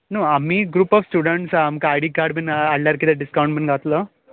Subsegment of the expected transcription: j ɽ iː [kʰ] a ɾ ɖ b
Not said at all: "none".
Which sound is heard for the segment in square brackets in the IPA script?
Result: k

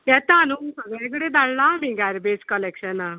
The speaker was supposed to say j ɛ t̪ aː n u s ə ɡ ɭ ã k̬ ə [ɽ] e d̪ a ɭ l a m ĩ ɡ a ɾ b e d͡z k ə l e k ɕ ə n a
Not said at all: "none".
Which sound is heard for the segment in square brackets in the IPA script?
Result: ɽ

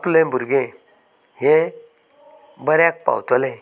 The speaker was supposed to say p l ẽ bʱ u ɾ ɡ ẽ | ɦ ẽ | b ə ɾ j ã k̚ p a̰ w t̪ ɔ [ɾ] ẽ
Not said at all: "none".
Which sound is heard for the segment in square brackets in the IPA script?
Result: l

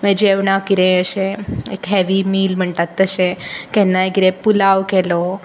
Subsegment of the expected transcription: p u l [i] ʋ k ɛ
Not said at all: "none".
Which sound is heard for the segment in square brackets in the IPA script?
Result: a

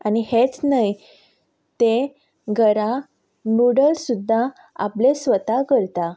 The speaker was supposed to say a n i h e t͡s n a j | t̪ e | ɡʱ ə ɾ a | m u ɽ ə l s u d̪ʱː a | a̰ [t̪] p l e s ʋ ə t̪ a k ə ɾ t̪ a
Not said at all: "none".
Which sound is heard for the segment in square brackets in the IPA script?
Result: none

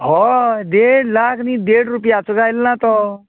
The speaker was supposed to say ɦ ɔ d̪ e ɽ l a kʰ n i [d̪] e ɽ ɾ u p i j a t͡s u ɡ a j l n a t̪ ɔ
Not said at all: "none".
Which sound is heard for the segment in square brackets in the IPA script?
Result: d̪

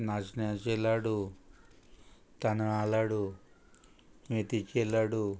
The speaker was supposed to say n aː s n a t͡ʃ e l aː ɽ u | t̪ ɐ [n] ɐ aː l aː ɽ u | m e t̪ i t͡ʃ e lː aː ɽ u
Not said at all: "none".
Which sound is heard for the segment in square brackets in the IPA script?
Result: n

